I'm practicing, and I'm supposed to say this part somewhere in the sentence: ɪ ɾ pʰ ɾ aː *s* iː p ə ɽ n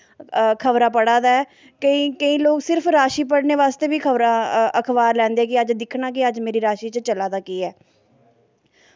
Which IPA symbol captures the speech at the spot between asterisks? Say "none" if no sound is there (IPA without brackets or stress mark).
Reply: ʃ